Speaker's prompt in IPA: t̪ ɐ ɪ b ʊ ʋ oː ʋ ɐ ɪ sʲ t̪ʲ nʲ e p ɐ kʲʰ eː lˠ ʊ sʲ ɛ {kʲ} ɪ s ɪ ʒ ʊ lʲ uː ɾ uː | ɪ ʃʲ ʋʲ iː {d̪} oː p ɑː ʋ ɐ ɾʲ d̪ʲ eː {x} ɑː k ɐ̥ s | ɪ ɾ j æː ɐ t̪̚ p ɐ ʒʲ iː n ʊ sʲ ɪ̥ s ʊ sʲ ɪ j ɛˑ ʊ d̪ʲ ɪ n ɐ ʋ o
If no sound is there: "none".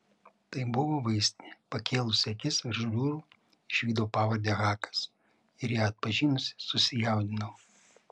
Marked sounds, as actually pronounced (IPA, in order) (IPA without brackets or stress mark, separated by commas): kʲ, d̪, ɣ